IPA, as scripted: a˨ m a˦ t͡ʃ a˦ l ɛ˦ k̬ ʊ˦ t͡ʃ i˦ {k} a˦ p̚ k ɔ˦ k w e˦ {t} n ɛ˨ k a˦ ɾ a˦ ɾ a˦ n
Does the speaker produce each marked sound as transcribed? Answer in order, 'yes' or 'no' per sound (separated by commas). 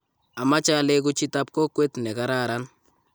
no, yes